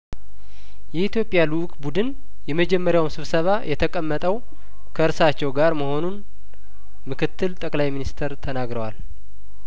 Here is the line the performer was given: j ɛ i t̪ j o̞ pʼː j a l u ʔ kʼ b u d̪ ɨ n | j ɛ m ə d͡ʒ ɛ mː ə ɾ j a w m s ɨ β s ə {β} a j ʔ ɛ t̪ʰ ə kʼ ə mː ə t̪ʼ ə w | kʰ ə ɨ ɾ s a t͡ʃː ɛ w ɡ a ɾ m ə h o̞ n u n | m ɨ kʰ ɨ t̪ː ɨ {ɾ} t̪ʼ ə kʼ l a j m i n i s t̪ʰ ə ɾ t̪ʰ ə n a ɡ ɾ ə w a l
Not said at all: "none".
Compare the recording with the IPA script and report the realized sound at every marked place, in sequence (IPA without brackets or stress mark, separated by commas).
β, l